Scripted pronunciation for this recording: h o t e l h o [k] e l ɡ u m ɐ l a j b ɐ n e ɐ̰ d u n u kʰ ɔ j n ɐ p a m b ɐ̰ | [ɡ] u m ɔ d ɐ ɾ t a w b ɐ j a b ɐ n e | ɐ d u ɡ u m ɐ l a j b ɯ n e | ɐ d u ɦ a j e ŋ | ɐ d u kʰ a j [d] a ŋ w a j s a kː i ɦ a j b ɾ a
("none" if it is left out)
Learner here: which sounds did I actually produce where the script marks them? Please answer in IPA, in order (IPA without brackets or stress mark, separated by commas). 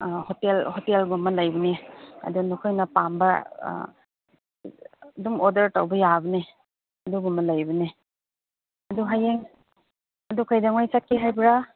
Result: t, d, d